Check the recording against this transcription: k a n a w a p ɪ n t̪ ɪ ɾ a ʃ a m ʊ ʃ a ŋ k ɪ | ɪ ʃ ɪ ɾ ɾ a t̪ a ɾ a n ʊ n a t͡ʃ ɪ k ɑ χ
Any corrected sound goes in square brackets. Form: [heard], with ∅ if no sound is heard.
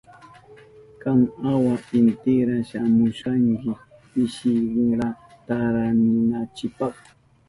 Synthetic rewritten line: k a [ŋ] a w a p ɪ n t̪ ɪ ɾ a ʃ a m ʊ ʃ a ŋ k ɪ | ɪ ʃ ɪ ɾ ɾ a t̪ a ɾ a n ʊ n a t͡ʃ ɪ [p] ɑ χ